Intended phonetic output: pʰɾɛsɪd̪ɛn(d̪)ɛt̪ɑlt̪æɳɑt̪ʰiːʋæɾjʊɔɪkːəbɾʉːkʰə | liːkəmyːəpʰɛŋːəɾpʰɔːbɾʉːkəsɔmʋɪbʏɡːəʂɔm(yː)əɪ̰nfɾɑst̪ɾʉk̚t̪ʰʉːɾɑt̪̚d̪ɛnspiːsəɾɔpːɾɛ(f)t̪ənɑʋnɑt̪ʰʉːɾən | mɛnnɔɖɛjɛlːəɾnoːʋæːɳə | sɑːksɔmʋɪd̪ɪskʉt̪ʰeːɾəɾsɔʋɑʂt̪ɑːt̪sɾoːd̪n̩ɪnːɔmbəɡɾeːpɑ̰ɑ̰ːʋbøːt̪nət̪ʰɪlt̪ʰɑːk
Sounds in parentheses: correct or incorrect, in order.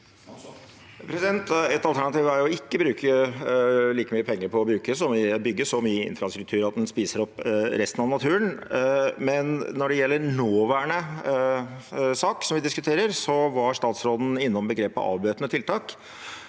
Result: incorrect, correct, incorrect

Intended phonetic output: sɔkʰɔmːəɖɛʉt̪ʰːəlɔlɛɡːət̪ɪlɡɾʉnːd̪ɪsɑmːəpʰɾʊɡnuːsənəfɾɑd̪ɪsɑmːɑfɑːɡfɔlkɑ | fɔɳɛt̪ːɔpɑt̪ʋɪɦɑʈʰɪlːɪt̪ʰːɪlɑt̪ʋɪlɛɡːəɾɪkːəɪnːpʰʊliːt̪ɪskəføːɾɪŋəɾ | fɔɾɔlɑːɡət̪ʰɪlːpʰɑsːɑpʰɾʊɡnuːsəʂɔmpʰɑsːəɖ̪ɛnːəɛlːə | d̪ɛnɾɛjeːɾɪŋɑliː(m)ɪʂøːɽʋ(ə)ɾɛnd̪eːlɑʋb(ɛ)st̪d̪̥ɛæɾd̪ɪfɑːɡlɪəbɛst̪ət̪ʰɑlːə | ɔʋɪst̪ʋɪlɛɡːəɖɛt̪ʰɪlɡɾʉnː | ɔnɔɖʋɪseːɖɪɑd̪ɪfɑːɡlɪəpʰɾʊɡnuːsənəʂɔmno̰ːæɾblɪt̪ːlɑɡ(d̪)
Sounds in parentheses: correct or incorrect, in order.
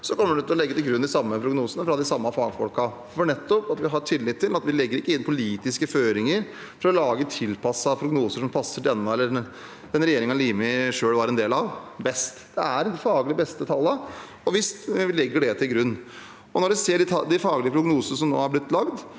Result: correct, incorrect, correct, correct

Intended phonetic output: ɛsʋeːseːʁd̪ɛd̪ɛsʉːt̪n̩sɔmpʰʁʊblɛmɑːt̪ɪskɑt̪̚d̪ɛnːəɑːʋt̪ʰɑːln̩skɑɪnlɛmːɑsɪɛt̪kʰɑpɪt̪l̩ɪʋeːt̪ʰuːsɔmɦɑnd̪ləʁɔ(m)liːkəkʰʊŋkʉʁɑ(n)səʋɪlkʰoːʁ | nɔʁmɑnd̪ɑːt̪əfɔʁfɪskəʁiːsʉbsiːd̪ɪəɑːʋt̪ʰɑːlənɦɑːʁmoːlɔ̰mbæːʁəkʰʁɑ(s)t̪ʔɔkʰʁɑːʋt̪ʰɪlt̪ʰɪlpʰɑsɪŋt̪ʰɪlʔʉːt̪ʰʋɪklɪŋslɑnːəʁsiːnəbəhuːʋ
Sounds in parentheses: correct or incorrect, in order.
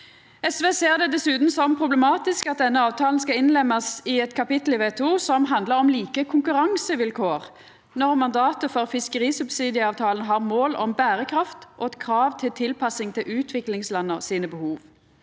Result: correct, incorrect, incorrect

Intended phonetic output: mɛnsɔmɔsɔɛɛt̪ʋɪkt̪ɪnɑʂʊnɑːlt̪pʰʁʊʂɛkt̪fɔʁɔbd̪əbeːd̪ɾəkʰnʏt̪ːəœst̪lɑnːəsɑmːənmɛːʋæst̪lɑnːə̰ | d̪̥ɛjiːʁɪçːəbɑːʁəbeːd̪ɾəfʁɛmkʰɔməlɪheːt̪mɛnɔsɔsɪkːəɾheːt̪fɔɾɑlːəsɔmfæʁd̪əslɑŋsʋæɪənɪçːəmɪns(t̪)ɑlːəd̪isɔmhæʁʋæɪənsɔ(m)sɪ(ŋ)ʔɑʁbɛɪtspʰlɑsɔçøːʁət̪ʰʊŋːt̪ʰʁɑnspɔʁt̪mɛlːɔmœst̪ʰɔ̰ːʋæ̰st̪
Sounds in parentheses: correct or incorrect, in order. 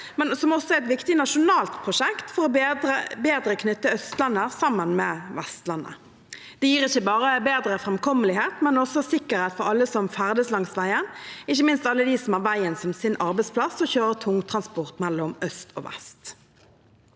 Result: correct, correct, incorrect

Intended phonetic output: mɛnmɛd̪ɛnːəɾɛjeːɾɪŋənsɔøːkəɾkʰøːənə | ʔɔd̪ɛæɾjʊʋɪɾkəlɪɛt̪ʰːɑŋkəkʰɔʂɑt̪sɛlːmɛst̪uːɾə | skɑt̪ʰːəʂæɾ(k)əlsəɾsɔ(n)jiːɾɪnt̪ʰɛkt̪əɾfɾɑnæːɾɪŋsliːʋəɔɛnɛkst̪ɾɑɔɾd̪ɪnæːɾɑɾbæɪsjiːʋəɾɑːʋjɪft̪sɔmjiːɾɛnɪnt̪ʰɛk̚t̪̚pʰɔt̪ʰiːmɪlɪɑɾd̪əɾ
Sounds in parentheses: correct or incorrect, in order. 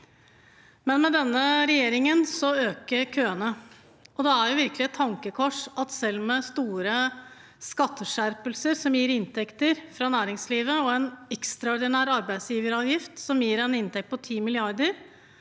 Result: incorrect, incorrect

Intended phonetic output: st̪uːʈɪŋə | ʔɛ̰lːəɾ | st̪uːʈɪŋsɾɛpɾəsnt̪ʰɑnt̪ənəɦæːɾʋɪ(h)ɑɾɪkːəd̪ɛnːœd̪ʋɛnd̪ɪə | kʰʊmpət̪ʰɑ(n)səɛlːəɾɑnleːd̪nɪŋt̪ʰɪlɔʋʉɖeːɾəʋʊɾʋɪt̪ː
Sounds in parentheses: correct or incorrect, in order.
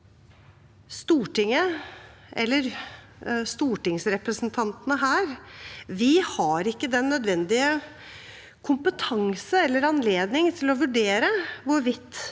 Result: correct, incorrect

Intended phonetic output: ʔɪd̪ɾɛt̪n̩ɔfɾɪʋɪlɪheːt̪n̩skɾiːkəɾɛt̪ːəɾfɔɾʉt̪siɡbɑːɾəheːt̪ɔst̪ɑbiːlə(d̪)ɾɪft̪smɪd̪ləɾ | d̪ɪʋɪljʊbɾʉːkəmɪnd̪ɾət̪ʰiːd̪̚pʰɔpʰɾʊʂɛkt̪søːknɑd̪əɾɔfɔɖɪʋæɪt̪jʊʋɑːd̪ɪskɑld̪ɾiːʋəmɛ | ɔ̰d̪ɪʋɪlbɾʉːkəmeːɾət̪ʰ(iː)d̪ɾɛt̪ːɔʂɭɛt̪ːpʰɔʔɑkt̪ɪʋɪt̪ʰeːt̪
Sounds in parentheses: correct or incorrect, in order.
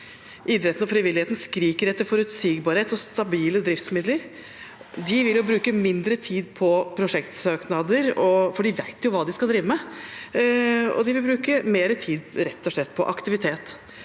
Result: correct, correct

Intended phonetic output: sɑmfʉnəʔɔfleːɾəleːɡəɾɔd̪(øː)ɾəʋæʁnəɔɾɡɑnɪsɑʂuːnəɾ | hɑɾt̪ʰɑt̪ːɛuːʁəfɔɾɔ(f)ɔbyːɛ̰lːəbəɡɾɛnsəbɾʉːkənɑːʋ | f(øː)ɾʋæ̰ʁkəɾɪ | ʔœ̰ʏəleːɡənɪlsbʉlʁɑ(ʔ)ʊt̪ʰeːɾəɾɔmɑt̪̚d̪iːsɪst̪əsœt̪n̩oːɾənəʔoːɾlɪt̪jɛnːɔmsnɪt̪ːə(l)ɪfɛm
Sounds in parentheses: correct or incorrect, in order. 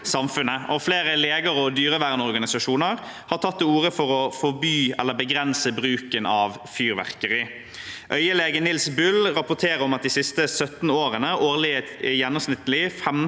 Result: incorrect, correct, incorrect, incorrect, correct

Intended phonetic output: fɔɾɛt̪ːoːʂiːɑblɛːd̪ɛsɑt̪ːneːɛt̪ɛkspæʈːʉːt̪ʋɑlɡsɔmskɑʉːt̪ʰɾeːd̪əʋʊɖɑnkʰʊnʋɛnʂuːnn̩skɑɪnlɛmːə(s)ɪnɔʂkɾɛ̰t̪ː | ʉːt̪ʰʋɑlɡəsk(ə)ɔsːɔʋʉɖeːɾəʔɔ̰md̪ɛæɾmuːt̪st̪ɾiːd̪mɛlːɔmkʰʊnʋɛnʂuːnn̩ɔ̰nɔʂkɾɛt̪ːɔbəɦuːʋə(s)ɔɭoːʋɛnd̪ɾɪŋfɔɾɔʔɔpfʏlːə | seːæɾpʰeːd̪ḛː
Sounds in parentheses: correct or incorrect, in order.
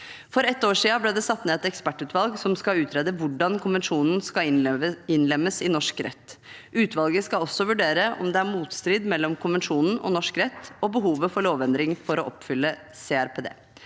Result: correct, incorrect, incorrect

